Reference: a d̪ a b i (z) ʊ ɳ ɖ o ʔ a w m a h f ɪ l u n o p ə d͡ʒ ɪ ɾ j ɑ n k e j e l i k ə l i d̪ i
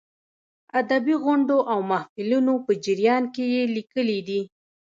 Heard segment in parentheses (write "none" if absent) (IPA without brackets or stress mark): ɣ